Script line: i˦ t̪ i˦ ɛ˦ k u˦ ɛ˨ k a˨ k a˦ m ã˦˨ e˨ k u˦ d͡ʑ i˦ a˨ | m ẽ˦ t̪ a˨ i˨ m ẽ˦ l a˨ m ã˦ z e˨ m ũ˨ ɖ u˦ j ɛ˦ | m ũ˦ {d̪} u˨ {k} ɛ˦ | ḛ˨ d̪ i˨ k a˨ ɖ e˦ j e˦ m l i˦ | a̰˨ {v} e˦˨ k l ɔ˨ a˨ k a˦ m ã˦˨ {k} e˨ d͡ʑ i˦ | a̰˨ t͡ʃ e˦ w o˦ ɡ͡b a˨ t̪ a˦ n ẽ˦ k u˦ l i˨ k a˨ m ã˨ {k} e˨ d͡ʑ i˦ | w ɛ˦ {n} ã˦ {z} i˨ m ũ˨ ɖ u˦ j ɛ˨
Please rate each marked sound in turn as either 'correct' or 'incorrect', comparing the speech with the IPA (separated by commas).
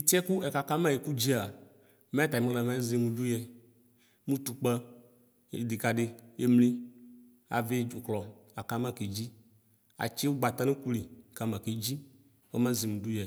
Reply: incorrect, incorrect, correct, correct, correct, incorrect, correct